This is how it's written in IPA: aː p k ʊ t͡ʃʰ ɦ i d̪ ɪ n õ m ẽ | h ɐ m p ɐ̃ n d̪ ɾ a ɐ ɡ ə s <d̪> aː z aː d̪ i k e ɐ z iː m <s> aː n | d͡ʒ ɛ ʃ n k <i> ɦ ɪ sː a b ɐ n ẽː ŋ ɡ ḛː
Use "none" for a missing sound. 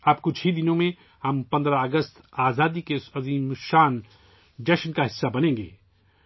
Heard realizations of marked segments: t̪, ʃ, a

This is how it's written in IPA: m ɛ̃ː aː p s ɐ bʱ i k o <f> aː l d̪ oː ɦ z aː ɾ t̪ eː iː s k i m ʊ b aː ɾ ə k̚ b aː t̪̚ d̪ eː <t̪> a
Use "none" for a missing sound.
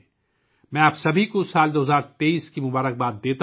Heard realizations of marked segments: s, t̪

